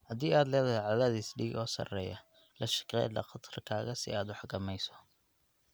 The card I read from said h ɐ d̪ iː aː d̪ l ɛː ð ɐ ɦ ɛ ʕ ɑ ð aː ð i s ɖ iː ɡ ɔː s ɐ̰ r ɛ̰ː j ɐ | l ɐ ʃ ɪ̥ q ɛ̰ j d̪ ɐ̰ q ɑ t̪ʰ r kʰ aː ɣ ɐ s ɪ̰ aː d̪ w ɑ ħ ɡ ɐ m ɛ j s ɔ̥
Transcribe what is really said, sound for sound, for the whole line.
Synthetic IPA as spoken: h ɐ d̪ iː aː d̪ l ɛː ð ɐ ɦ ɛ ʕ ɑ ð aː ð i s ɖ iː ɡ ɔː s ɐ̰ r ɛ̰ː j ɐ | l ɐ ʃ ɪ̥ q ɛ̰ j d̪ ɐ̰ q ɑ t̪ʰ r kʰ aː ɣ ɐ s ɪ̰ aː d̪ w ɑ ħ ɡ ɐ m ɛ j s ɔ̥